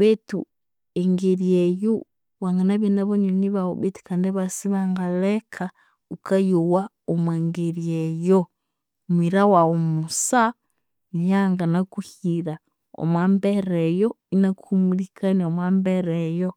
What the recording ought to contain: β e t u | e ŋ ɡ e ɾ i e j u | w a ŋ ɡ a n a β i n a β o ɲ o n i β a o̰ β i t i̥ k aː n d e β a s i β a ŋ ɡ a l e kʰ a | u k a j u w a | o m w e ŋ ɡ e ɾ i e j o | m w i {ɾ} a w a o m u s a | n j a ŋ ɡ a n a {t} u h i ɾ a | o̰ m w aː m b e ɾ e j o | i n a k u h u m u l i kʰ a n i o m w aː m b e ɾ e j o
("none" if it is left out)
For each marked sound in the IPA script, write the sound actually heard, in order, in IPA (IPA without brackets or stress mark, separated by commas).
ɾ, k